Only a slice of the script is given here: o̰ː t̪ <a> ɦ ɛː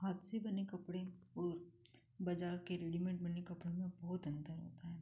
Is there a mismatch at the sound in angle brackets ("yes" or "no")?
no